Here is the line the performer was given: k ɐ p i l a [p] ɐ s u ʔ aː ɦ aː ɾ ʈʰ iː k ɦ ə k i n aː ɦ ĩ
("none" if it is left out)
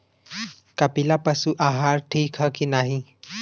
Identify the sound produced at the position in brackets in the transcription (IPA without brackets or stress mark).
p